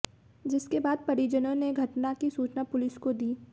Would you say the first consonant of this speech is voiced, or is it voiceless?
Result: voiced